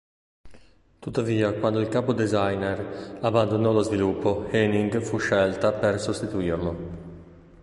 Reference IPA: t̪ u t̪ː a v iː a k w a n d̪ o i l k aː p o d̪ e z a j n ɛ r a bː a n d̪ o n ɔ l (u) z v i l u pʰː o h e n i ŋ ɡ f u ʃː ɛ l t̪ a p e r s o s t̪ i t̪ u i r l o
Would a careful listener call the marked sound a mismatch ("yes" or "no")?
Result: yes